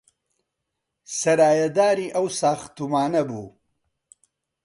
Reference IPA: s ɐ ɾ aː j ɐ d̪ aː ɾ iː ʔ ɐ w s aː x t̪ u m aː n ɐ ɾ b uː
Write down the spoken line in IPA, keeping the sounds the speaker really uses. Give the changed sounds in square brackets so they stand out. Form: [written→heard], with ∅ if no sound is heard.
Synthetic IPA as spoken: s ɐ ɾ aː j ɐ d̪ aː ɾ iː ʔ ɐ w s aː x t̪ u m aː n ɐ [ɾ→∅] b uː